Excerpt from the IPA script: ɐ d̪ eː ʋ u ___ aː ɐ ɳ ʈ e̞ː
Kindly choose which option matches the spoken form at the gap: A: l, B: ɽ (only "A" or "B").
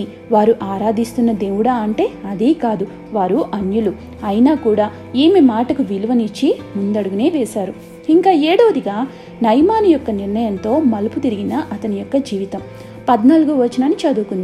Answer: B